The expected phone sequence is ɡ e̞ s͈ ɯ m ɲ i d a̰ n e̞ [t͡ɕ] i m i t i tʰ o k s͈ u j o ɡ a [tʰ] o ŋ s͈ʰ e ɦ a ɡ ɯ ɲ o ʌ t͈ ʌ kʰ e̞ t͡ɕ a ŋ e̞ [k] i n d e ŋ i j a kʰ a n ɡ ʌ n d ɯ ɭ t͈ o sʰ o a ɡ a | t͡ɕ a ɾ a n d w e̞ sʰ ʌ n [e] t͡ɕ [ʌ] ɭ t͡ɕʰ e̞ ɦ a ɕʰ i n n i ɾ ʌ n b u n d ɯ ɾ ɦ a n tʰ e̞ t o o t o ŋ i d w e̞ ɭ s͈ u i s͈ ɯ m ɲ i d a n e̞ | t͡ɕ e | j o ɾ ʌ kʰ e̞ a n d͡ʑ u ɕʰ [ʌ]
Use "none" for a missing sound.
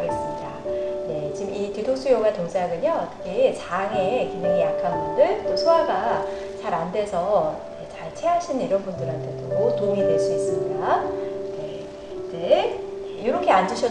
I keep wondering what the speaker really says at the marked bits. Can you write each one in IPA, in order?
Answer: t͡ɕ, t, k, e, a, ʌ

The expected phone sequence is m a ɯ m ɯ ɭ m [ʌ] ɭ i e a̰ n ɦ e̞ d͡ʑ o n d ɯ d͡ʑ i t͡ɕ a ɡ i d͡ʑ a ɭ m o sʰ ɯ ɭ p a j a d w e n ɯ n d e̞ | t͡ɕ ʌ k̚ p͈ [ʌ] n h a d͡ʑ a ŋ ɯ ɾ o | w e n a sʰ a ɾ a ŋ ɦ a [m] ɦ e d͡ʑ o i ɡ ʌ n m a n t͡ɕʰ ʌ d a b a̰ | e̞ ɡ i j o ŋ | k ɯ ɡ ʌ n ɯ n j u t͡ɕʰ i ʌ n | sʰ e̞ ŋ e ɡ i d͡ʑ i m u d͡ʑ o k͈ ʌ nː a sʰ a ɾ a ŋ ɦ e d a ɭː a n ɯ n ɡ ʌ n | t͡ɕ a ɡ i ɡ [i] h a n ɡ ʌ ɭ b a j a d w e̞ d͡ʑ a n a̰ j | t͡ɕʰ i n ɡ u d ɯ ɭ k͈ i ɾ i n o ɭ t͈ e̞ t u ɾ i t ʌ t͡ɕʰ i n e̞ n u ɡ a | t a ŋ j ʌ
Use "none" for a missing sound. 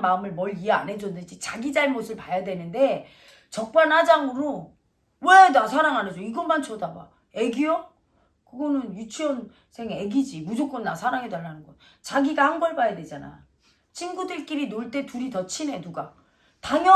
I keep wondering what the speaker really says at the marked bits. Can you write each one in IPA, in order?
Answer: ʌ, a, n, a

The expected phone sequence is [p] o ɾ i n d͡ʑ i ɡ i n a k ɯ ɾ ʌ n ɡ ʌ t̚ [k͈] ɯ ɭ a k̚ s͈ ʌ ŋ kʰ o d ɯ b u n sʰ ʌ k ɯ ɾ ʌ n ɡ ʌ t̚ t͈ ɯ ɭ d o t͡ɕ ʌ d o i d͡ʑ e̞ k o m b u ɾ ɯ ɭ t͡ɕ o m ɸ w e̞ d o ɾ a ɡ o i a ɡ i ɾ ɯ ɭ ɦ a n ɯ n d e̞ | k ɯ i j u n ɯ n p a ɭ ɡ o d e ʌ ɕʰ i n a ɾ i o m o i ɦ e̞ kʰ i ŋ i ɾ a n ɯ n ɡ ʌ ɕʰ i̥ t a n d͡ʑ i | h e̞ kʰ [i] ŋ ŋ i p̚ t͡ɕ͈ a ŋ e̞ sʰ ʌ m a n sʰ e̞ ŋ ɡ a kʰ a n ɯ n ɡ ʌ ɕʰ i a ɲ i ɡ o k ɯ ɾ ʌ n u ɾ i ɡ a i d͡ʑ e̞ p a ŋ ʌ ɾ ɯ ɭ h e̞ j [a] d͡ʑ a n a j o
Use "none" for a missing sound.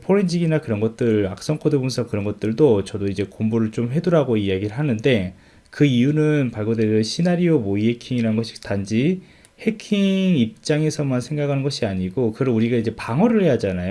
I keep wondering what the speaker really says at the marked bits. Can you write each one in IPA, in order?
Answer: pʰ, t͈, i, a

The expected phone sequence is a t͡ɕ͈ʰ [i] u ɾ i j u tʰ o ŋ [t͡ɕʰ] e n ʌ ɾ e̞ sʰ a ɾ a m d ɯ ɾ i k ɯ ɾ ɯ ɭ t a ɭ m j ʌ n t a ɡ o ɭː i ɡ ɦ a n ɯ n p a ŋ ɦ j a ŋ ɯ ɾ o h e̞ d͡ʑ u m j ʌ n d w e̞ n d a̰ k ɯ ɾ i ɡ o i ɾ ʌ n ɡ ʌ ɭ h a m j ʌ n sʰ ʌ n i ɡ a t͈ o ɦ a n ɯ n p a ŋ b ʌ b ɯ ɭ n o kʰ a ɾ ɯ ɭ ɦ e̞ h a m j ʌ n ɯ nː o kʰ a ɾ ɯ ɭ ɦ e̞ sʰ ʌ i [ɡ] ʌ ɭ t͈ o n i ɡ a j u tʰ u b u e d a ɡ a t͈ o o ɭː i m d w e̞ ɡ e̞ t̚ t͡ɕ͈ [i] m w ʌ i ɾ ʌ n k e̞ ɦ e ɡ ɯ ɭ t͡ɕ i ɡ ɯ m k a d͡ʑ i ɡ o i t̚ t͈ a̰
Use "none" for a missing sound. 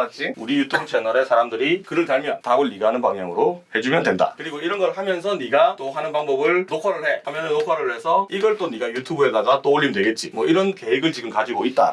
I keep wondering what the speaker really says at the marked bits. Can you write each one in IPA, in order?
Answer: i, t͡ɕʰ, ɡ, i

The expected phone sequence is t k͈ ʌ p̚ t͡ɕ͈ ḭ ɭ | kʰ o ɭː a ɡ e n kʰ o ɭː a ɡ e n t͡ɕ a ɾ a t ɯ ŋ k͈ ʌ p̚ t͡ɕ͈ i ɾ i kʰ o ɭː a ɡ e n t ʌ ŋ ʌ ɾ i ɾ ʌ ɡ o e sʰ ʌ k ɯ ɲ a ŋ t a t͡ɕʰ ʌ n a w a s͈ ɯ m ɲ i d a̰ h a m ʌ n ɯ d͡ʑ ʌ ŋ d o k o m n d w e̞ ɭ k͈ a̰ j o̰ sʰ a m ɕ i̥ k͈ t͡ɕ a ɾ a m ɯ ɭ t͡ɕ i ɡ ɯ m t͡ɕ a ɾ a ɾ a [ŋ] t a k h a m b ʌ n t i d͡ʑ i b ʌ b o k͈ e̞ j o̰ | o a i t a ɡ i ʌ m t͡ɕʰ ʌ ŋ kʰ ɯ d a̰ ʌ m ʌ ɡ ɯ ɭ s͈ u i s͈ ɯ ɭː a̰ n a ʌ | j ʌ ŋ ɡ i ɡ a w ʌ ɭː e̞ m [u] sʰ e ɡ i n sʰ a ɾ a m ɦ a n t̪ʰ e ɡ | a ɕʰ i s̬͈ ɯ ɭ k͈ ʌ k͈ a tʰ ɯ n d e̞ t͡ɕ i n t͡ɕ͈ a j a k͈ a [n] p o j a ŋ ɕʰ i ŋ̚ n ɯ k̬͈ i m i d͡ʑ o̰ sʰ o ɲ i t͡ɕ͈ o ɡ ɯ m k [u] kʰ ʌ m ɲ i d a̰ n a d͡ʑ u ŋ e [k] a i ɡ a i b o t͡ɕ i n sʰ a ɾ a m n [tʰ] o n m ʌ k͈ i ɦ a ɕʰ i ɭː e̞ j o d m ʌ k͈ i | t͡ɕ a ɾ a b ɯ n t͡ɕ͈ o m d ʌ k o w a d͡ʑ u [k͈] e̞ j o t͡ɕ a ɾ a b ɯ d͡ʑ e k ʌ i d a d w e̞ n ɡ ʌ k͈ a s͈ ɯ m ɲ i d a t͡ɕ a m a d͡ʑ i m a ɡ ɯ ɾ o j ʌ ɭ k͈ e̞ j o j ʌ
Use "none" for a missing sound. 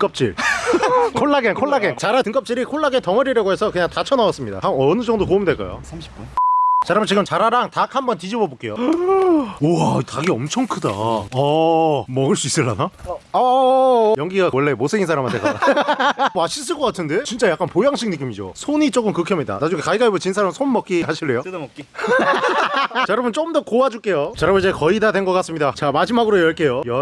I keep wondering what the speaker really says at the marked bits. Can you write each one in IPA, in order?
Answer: ŋ, o, n, ɯ, k, sʰ, k͈

